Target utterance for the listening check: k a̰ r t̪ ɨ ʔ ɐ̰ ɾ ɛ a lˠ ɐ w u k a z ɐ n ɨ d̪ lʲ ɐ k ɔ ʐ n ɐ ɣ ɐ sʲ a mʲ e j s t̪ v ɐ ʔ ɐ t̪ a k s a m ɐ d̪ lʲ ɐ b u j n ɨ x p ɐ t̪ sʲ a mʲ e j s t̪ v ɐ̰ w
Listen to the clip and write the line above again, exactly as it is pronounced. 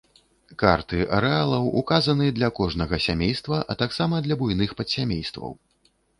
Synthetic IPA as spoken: k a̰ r t̪ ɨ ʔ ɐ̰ ɾ ɛ a lˠ ɐ w u k a z ɐ n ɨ d̪ lʲ ɐ k ɔ ʐ n ɐ ɣ ɐ sʲ a mʲ e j s t̪ v ɐ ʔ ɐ t̪ a k s a m ɐ d̪ lʲ ɐ b u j n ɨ x p ɐ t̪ sʲ a mʲ e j s t̪ v ɐ̰ w